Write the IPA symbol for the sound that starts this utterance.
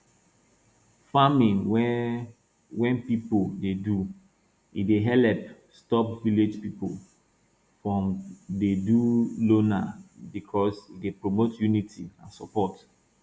f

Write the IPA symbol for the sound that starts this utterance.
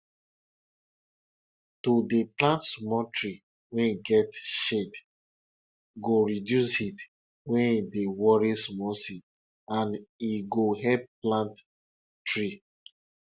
t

